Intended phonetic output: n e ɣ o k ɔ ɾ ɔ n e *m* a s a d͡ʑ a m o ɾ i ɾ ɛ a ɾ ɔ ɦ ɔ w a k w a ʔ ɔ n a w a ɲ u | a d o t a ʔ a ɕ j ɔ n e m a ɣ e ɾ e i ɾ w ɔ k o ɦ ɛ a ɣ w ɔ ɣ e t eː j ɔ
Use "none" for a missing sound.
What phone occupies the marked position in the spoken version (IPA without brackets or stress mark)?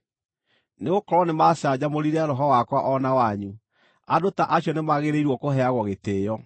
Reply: m